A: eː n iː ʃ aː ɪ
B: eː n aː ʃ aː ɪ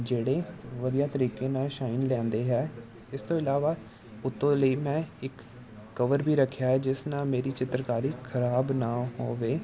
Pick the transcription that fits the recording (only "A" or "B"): B